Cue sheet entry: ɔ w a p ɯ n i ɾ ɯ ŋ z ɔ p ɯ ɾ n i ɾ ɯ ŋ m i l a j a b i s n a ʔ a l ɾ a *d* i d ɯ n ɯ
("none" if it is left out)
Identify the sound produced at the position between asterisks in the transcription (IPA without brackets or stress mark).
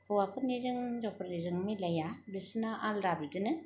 b